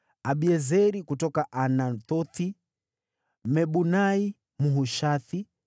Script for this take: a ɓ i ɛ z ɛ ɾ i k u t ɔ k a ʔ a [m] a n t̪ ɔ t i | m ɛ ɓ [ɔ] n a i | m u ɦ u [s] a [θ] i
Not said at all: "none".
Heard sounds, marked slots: n, u, ʃ, θ

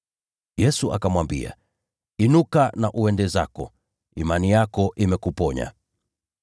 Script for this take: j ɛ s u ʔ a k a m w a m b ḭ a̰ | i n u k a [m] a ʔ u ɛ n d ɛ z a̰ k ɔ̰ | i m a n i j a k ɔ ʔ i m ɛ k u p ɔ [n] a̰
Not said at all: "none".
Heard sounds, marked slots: n, ɲ

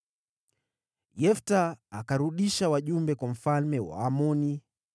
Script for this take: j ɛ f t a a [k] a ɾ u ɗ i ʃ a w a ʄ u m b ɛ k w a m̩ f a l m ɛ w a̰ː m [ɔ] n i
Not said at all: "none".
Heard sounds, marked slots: k, ɔ

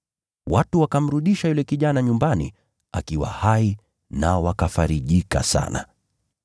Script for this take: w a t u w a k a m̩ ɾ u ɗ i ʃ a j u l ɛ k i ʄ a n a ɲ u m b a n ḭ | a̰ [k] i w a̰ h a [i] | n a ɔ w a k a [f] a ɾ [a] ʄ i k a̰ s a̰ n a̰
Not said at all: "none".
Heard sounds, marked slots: k, i, f, i

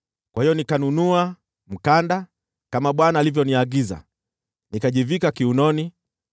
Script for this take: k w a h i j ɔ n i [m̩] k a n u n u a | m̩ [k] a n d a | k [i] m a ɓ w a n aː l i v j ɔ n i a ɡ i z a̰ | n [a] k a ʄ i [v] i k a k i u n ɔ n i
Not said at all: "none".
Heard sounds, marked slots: none, k, a, i, v

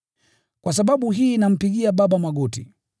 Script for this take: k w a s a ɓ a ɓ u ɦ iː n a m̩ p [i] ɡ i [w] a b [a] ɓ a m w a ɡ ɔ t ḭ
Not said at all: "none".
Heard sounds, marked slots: i, none, a

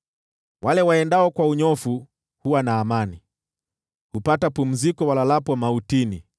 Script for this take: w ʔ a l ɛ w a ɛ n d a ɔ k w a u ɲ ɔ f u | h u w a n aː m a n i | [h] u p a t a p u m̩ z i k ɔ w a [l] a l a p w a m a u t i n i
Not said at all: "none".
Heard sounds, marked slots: h, l

